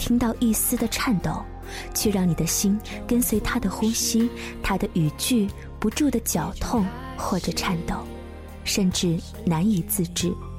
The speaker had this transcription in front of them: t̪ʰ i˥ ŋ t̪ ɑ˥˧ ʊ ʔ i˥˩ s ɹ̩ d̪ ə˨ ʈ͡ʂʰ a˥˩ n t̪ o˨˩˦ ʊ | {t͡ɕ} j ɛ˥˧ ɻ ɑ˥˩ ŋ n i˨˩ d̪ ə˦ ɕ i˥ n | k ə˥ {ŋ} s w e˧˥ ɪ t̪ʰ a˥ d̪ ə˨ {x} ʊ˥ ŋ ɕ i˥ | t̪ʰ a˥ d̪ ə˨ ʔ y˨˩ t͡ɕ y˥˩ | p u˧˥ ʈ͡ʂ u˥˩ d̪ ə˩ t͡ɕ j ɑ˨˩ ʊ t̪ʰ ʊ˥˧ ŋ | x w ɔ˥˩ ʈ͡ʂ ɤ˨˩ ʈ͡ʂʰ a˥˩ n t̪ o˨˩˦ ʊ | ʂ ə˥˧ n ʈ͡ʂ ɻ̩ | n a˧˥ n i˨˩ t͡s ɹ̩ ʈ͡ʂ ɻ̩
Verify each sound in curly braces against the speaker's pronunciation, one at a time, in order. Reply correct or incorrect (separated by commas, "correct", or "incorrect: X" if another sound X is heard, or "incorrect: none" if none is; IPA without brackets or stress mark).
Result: incorrect: t͡ɕʰ, incorrect: n, correct